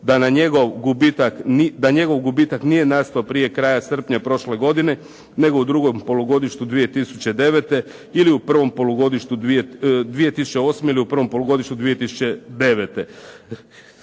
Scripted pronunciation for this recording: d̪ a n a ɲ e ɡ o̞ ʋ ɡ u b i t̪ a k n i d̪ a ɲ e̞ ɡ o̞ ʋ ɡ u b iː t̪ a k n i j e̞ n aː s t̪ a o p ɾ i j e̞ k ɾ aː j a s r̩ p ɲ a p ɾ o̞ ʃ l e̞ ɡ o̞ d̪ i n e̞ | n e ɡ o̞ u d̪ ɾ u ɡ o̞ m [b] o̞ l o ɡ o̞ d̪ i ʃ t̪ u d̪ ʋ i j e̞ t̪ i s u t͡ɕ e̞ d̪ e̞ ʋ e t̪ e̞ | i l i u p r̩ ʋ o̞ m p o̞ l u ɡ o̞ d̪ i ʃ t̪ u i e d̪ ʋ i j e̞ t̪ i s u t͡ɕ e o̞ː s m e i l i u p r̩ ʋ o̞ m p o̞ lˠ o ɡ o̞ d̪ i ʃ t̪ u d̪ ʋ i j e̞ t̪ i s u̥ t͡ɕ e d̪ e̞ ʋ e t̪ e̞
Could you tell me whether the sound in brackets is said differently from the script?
yes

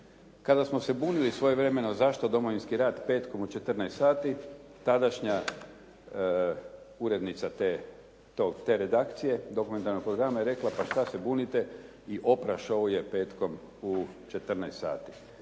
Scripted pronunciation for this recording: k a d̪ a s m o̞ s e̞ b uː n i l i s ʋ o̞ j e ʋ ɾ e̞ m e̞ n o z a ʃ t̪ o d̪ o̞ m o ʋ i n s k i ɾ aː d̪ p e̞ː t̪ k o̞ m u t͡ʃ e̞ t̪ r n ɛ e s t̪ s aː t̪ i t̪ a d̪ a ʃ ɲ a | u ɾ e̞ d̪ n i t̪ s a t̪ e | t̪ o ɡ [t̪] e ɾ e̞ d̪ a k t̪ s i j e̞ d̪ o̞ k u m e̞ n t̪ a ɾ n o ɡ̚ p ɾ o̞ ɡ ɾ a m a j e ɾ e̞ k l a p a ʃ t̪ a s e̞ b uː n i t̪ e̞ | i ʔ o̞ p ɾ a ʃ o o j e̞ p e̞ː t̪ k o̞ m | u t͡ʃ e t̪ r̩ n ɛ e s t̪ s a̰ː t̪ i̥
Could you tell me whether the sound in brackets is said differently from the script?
no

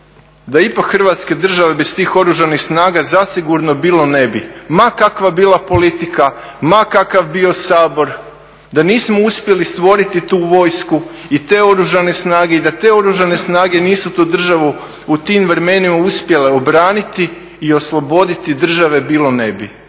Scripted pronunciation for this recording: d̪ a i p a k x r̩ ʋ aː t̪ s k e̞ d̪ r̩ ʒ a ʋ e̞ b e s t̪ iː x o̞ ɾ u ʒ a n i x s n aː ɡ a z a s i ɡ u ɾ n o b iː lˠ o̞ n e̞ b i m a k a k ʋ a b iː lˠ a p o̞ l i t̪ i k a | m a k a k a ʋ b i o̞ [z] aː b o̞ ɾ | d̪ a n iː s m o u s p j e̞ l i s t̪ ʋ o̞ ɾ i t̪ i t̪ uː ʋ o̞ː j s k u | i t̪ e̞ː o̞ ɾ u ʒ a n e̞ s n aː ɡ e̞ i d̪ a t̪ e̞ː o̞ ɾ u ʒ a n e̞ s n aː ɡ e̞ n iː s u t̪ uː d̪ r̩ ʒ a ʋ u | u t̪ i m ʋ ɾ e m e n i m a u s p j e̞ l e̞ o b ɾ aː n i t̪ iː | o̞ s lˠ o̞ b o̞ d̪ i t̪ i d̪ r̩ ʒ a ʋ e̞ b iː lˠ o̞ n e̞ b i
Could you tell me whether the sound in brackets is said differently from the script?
yes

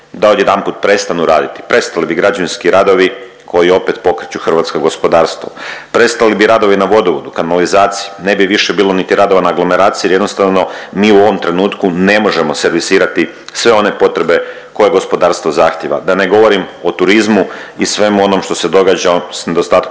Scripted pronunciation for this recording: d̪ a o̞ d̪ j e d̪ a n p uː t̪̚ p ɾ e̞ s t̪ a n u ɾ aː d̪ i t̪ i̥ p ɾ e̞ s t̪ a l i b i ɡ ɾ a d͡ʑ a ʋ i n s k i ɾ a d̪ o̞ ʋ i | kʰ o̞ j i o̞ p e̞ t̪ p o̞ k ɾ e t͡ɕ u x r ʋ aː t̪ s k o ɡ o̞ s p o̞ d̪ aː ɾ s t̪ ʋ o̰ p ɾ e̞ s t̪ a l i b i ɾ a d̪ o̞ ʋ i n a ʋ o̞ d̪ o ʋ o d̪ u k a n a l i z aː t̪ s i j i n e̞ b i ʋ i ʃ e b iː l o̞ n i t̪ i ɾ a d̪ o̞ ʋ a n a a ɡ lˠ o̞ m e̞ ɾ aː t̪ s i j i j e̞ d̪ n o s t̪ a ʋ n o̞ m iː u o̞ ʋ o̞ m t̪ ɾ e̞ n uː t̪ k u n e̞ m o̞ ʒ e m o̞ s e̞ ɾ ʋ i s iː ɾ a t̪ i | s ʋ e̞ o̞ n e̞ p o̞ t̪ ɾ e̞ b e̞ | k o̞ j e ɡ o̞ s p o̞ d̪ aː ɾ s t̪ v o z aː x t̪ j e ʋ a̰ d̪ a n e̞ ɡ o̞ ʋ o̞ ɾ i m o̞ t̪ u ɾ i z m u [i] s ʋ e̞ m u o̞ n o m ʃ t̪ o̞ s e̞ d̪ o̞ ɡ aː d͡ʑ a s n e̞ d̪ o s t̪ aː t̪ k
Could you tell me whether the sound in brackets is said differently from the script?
no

